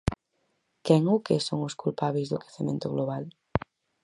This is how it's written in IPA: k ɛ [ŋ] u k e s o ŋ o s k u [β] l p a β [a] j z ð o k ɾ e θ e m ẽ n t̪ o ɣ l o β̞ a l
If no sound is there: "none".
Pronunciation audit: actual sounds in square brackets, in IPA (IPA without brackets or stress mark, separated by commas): ŋ, none, e